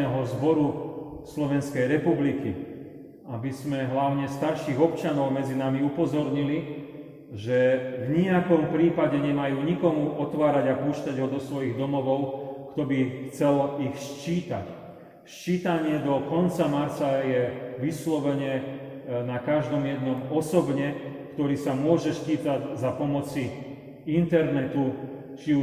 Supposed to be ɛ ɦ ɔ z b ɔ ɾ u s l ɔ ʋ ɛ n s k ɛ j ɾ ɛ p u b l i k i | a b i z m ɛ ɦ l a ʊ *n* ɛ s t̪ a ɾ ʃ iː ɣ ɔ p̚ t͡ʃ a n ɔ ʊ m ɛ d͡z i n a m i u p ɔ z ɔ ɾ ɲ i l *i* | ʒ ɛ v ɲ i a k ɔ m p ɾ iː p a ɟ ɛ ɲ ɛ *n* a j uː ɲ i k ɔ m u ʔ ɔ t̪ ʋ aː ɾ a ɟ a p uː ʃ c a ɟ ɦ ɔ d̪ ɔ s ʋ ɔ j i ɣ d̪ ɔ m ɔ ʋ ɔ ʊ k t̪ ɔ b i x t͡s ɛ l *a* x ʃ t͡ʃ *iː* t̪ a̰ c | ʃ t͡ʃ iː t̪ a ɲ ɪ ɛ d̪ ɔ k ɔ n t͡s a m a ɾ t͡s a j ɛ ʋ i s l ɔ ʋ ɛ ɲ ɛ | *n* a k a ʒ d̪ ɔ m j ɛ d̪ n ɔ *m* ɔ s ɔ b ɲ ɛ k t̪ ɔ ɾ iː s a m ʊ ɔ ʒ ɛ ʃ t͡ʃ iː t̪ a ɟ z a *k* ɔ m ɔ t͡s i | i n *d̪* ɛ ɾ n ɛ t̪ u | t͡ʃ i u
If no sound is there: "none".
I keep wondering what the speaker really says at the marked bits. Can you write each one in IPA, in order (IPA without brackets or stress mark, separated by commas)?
ɲ, i, m, i, iː, n, m, p, t̪